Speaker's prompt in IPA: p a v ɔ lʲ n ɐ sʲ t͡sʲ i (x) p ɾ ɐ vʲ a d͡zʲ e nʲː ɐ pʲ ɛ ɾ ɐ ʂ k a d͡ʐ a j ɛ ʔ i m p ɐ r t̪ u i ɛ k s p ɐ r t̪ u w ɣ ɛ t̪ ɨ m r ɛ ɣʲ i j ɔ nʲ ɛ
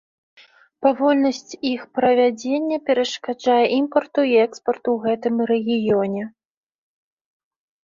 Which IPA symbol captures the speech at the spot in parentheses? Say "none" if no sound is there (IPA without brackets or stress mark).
x